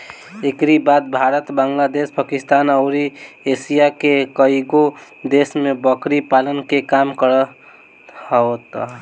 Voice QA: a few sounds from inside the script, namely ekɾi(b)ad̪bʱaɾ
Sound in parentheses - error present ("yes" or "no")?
no